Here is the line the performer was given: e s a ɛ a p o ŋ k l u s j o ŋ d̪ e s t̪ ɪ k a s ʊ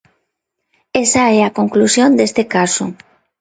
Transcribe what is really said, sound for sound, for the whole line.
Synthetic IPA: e s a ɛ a k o ŋ k l u s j o n d̪ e s t̪ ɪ k a s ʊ